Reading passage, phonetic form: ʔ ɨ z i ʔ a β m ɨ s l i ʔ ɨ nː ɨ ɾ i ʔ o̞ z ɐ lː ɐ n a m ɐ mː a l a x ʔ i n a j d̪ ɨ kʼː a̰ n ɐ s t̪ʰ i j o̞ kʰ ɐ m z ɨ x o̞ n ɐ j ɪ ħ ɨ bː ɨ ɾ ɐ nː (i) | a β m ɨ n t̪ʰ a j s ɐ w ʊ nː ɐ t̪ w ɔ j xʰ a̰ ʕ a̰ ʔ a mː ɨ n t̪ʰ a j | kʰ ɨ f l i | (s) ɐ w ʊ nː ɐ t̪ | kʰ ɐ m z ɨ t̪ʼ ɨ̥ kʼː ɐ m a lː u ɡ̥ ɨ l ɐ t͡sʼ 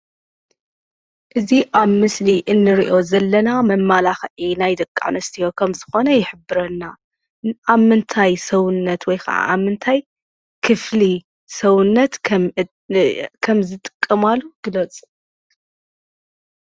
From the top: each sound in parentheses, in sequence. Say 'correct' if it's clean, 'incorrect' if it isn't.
incorrect, correct

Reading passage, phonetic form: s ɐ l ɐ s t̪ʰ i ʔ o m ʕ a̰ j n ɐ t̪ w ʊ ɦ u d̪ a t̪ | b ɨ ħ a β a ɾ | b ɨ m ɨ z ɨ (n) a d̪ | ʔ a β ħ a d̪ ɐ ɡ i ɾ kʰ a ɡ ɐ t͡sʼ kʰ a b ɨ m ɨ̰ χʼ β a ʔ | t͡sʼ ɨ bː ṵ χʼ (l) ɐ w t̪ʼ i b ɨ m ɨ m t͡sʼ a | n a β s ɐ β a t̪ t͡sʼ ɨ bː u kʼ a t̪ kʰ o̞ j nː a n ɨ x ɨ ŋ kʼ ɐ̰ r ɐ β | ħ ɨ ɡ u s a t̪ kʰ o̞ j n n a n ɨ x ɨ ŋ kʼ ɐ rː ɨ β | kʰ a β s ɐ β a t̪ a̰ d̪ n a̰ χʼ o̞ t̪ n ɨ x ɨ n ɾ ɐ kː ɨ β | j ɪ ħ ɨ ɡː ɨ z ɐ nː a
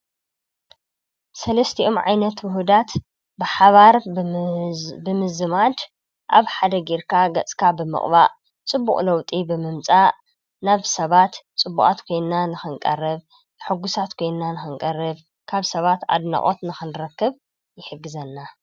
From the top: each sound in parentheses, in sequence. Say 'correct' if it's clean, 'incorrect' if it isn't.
incorrect, correct

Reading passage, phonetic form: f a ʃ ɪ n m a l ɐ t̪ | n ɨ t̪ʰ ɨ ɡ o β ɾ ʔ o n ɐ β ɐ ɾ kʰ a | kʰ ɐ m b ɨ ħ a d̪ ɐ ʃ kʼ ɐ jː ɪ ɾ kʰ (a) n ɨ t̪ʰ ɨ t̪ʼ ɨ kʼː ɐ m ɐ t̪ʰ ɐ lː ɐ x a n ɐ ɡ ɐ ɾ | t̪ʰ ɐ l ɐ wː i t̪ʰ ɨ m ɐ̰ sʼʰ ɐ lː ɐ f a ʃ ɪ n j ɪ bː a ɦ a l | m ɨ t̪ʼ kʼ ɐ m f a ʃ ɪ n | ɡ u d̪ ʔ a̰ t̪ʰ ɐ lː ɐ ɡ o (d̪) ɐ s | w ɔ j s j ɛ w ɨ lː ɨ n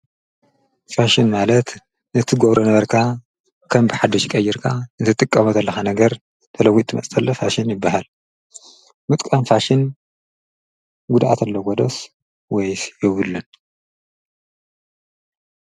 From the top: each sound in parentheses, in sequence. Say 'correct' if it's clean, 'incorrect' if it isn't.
correct, correct

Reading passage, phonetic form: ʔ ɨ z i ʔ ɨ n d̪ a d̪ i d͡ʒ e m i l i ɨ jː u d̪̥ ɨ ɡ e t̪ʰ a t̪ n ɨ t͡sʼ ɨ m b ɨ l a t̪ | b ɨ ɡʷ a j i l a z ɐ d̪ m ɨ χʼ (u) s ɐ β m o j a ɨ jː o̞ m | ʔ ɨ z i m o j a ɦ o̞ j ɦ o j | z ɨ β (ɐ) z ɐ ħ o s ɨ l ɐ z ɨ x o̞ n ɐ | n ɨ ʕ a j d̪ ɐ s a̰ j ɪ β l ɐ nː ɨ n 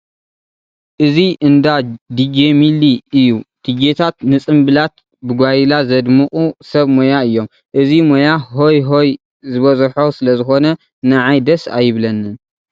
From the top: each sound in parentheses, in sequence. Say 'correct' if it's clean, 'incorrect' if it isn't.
correct, correct

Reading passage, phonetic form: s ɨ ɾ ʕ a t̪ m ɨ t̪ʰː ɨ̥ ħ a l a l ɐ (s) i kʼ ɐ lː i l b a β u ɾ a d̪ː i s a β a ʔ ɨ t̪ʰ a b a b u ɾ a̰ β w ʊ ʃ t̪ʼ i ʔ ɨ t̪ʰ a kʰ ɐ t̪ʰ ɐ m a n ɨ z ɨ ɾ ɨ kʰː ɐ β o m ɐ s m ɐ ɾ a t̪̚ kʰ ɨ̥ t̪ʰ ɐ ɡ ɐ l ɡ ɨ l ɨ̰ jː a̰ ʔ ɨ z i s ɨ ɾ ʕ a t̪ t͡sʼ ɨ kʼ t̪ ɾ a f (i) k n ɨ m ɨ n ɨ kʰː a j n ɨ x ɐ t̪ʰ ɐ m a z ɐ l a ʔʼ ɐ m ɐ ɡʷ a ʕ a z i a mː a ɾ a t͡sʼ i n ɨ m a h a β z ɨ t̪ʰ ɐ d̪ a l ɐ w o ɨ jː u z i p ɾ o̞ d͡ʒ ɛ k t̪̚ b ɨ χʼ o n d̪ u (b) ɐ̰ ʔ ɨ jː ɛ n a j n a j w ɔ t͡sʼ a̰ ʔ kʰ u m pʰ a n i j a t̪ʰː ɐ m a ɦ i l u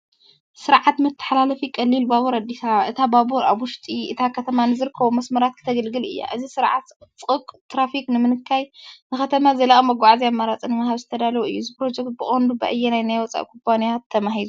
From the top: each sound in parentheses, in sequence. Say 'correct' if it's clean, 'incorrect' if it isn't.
incorrect, correct, correct

